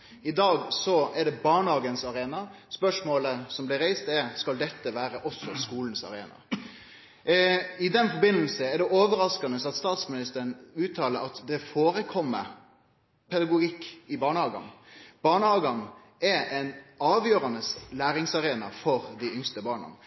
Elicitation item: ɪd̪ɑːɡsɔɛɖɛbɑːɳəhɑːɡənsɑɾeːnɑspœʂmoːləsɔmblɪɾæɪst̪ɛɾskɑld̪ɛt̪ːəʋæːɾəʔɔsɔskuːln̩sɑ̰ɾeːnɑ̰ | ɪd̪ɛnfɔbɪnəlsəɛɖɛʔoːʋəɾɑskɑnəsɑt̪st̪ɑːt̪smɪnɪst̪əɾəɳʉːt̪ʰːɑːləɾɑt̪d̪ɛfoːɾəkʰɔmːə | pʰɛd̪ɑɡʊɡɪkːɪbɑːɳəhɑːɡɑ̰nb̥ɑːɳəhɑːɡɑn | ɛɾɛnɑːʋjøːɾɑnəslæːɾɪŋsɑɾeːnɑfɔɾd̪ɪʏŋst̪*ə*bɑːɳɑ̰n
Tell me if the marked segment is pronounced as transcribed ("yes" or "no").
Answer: yes